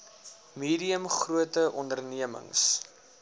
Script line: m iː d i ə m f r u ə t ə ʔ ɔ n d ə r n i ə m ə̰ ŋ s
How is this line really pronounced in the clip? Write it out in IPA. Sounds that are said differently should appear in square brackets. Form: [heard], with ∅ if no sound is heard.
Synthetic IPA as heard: m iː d i ə m [χ] r u ə t ə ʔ ɔ n d ə r n i ə m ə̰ ŋ s